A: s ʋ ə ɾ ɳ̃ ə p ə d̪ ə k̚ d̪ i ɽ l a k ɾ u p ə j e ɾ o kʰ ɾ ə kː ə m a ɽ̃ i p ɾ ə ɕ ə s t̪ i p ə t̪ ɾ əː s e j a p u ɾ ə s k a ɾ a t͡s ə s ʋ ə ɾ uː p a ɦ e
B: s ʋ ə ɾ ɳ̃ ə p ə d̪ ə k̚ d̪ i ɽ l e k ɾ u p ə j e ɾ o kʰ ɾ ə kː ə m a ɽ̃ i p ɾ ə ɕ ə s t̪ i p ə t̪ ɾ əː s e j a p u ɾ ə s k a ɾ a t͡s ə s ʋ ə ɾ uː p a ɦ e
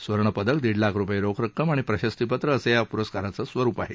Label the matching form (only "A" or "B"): A